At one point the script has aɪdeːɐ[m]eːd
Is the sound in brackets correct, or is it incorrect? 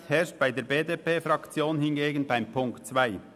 incorrect